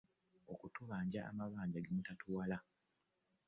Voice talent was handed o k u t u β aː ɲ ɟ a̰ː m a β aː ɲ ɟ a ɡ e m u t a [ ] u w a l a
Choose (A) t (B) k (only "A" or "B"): A